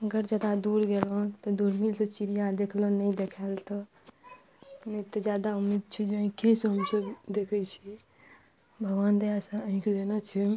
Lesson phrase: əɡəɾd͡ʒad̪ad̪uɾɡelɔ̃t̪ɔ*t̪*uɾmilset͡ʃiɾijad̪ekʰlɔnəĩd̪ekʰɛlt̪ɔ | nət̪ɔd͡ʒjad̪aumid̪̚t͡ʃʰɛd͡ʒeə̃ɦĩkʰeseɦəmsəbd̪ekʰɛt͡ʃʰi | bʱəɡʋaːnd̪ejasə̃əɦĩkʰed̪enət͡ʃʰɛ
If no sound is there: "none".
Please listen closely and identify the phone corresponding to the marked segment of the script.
d̪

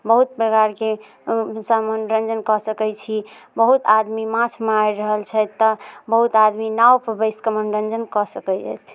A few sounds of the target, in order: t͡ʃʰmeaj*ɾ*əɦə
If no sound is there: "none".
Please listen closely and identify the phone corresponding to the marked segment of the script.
ɾ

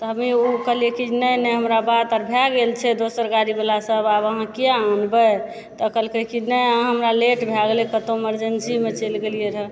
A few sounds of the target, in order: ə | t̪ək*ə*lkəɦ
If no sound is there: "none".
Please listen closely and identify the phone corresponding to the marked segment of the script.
ə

